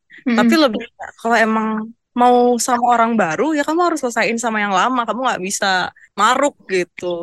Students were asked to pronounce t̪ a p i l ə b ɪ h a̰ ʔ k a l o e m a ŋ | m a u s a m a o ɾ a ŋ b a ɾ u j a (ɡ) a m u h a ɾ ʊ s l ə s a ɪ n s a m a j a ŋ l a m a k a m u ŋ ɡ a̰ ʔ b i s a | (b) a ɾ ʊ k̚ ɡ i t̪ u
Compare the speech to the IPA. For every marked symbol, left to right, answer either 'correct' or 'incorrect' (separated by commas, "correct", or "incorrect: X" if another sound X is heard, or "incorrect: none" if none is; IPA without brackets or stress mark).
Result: incorrect: k, incorrect: m